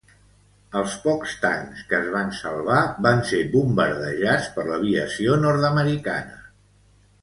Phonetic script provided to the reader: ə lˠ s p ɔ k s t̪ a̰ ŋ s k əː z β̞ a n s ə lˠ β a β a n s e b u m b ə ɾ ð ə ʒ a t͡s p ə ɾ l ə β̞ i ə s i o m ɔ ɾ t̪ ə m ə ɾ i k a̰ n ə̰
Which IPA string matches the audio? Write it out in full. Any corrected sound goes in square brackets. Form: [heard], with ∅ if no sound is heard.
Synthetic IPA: ə lˠ s p ɔ k s t̪ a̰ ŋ s k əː z β̞ a n s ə lˠ β a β a n s e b u m b ə ɾ ð ə ʒ a t͡s p ə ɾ l ə β̞ i ə s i o [n] ɔ ɾ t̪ ə m ə ɾ i k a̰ n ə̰